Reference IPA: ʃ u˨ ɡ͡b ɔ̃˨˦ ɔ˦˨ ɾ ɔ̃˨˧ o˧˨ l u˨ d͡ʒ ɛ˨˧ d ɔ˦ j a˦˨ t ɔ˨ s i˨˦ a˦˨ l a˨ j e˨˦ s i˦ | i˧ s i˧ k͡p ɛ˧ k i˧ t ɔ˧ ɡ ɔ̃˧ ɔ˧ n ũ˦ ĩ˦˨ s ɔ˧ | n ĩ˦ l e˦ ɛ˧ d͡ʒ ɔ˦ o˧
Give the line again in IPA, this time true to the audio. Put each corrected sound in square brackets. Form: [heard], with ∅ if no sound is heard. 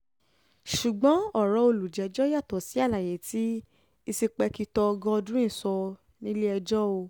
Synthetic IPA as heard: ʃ u˨ ɡ͡b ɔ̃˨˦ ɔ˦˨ ɾ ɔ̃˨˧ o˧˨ l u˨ d͡ʒ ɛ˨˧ [d͡ʒ] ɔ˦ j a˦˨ t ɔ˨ s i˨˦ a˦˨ l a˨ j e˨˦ [t] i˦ | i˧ s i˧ k͡p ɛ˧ k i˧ t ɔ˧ ɡ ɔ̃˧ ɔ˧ [d] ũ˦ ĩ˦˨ s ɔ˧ | n ĩ˦ l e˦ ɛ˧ d͡ʒ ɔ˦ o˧